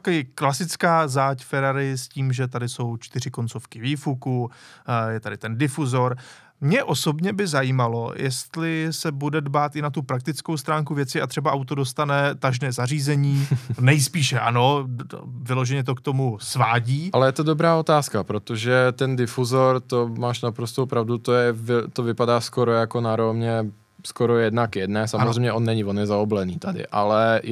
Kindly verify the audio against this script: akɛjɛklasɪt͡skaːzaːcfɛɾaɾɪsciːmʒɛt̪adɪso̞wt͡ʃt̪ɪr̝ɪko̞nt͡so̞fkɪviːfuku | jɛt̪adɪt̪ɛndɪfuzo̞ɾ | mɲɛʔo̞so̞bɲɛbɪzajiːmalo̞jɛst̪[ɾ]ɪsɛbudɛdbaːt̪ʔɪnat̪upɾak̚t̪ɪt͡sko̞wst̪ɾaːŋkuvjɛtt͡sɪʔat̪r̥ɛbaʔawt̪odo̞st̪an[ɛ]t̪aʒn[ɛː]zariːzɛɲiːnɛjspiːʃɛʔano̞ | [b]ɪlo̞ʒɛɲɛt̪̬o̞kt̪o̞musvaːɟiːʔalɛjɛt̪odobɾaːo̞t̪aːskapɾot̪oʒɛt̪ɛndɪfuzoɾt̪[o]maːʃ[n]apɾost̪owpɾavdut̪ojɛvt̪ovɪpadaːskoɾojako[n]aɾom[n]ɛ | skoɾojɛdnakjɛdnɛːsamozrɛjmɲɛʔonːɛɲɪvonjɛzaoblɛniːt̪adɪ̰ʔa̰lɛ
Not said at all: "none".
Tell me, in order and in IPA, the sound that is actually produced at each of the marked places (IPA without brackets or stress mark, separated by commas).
l, ɛ, ɛː, v, o, n, n, ɲ